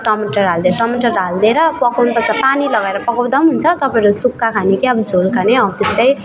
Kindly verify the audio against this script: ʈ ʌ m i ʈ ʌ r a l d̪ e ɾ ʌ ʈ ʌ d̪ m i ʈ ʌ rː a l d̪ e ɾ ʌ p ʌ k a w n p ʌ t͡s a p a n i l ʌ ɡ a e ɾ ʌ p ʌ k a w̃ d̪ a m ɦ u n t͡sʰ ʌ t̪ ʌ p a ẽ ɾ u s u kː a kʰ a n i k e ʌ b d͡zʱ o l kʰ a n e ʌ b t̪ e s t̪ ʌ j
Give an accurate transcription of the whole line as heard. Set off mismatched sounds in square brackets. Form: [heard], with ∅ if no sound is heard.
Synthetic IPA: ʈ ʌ m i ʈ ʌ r a l d̪ e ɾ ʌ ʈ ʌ [∅] m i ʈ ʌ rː a l d̪ e ɾ ʌ p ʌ k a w n p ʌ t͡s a p a n i l ʌ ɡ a e ɾ ʌ p ʌ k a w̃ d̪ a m ɦ u n t͡sʰ ʌ t̪ ʌ p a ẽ ɾ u s u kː a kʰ a n i k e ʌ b d͡zʱ o l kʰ a n e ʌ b t̪ e s t̪ ʌ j